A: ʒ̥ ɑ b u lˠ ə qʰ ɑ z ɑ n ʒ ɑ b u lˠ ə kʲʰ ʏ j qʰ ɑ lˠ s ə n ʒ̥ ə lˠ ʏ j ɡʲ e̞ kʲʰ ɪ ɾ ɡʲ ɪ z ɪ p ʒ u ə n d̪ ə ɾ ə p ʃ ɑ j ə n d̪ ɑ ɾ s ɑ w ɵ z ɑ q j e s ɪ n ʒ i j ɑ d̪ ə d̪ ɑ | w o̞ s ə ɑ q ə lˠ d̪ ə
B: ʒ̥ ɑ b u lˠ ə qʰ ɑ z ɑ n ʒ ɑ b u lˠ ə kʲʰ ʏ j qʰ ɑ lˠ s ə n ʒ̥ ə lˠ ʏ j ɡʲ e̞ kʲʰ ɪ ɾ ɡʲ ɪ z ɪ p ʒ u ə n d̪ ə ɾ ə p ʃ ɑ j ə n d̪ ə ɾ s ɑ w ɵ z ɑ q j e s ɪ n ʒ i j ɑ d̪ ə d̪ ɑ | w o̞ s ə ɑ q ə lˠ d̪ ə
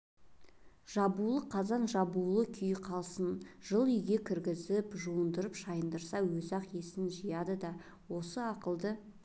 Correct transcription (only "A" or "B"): B